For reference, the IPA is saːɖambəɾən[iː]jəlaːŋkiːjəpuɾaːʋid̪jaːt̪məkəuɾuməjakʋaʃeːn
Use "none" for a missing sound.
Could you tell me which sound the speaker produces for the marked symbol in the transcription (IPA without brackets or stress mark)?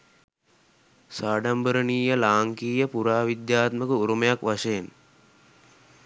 iː